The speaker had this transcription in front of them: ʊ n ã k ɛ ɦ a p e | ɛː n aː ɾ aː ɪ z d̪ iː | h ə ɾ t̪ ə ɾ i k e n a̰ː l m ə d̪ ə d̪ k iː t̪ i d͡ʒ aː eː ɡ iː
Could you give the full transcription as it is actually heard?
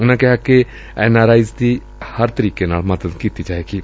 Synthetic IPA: ʊ n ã k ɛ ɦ a k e | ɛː n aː ɾ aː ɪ z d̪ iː | h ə ɾ t̪ ə ɾ iː k e n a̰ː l m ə d̪ ə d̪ k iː t̪ i d͡ʒ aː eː ɡ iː